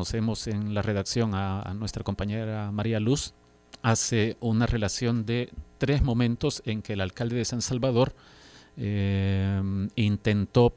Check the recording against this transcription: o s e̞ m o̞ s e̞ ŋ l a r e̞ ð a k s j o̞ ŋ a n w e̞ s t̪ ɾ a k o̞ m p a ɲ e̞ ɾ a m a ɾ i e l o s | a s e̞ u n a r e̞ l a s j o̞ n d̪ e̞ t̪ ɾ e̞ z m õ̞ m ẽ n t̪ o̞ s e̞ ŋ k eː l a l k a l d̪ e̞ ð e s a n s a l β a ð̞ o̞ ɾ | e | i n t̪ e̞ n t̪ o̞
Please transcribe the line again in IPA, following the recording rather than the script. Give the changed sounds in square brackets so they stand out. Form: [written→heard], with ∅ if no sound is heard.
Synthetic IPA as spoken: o s e̞ m o̞ s e̞ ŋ l a r e̞ ð a k s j o̞ ŋ a n w e̞ s t̪ ɾ a k o̞ m p a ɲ e̞ ɾ a m a ɾ i [e→a] l [o→u] s | a s e̞ u n a r e̞ l a s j o̞ n d̪ e̞ t̪ ɾ e̞ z m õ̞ m ẽ n t̪ o̞ s e̞ ŋ k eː l a l k a l d̪ e̞ ð e s a n s a l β a ð̞ o̞ ɾ | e | i n t̪ e̞ n t̪ o̞